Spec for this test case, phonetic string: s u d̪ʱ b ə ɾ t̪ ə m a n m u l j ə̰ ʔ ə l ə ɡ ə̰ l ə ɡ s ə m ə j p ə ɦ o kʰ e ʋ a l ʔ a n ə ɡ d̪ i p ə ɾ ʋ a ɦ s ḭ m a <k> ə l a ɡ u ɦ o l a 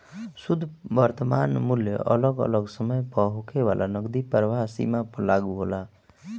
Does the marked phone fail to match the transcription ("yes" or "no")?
yes